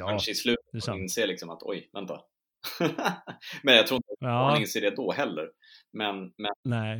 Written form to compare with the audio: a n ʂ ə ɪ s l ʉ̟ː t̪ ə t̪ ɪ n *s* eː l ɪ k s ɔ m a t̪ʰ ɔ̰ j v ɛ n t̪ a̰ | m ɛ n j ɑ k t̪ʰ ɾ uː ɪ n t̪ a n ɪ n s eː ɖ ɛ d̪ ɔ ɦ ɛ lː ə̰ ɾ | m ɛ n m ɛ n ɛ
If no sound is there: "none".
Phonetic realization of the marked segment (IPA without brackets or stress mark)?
s